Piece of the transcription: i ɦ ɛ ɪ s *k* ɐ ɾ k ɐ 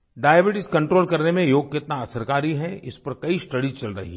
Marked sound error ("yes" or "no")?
yes